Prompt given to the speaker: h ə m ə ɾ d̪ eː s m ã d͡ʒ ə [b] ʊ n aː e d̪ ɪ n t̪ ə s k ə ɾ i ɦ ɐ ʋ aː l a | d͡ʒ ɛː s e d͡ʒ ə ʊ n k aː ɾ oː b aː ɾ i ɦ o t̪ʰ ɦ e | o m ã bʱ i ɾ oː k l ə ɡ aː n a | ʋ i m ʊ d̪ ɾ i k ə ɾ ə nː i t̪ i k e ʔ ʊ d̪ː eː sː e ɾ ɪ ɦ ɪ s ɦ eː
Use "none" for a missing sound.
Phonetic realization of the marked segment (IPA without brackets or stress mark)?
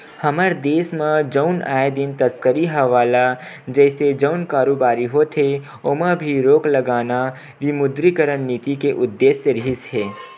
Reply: none